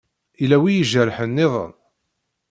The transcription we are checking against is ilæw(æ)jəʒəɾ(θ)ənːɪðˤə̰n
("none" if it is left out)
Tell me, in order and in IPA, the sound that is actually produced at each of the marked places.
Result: i, ħ

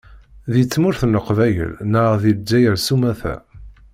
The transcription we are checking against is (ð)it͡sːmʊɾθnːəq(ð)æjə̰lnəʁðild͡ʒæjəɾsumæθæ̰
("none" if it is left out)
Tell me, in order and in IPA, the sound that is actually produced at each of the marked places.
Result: ð, v

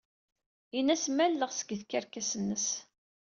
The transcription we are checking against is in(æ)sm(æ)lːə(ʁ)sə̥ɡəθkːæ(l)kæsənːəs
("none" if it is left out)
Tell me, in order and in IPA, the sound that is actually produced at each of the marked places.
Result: æ, æ, ʁ, ɾ

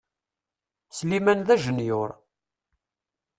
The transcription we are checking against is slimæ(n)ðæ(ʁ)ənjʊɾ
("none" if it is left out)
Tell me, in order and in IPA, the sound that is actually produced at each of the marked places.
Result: n, ʒ

